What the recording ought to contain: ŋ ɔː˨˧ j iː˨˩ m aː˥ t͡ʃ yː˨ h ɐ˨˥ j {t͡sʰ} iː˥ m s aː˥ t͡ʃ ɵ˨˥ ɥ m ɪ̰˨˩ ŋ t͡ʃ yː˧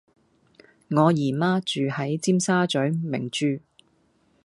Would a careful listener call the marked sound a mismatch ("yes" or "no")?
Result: yes